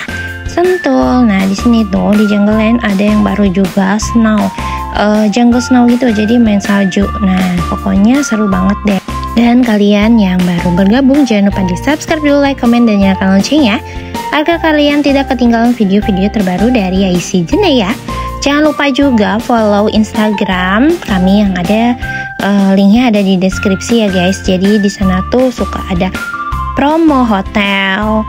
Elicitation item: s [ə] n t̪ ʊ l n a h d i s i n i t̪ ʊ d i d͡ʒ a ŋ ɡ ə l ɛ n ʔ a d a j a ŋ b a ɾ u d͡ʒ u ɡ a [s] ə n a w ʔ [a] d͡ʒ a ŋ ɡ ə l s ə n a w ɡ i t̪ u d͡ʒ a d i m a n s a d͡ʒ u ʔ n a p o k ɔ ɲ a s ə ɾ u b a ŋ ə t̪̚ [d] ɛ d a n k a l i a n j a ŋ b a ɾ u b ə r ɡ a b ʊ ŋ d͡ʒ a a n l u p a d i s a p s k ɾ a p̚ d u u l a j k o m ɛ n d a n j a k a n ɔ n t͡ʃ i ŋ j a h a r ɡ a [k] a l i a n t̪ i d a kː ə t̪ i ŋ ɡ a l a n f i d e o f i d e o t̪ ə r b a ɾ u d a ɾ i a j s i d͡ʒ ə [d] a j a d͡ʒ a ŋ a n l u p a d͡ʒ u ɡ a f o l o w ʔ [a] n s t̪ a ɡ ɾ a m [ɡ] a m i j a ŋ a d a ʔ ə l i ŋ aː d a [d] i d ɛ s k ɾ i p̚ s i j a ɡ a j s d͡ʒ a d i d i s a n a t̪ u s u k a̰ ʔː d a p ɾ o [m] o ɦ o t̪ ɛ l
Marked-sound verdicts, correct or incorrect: correct, correct, incorrect: ə, correct, correct, incorrect: n, incorrect: i, incorrect: k, correct, correct

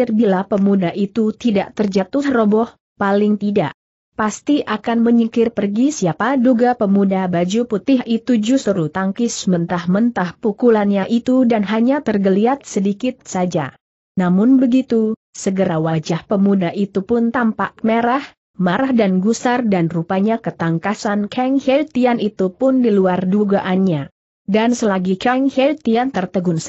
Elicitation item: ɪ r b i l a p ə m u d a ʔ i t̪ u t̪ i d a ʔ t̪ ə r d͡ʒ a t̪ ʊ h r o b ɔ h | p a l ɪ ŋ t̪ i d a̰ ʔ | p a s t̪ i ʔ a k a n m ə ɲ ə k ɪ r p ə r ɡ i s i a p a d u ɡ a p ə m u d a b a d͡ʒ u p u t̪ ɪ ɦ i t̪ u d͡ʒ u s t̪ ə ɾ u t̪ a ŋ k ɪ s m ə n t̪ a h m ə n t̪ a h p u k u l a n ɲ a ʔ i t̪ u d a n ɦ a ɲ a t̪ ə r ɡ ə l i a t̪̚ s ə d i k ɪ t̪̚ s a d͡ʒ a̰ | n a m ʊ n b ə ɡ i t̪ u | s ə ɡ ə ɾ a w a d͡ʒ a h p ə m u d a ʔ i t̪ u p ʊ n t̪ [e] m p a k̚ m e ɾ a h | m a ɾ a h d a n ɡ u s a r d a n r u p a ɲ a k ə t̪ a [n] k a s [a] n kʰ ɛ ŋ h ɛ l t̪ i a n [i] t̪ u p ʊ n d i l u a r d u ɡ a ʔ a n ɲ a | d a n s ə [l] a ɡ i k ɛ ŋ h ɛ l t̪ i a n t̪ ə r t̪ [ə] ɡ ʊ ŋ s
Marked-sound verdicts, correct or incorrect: incorrect: a, incorrect: ŋ, correct, correct, correct, correct

